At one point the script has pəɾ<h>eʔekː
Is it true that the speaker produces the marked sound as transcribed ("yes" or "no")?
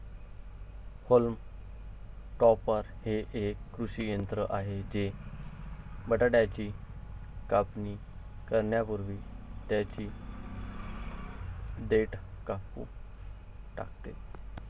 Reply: yes